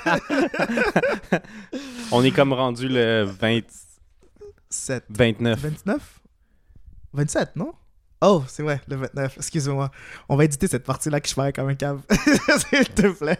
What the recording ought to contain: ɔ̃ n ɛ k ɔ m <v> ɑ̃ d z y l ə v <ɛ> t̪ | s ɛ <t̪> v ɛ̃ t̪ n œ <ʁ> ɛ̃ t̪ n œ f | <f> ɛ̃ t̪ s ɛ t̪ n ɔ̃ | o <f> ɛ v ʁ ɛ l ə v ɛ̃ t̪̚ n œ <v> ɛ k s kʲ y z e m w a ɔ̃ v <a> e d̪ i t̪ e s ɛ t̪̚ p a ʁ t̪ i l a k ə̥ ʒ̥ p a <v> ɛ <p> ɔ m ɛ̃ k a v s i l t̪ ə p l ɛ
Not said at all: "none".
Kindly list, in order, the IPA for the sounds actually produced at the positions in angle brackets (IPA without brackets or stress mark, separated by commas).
ʁ, ɛ̃, t̪, v, v, s, f, a, ʁ, k